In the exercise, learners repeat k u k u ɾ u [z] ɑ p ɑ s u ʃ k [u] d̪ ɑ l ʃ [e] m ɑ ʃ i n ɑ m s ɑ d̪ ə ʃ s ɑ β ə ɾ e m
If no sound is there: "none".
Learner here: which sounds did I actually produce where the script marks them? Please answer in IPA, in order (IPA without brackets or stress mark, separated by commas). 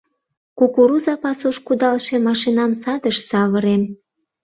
z, u, e